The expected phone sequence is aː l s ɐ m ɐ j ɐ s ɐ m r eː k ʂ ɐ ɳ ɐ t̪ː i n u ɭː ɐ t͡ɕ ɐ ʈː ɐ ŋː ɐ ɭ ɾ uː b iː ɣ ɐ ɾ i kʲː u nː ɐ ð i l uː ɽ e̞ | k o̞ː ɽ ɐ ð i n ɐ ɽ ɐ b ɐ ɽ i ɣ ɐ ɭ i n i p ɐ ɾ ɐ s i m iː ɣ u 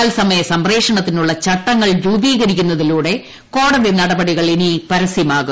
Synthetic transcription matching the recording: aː l s ɐ m ɐ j ɐ s ɐ m r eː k ʂ ɐ ɳ ɐ t̪ː i n u ɭː ɐ t͡ɕ ɐ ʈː ɐ ŋː ɐ ɭ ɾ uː b iː ɣ ɐ ɾ i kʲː u nː ɐ ð i l uː ɽ e̞ | k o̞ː ɽ ɐ ð i n ɐ ɽ ɐ b ɐ ɽ i ɣ ɐ ɭ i n i p ɐ ɾ ɐ s i m aː ɣ u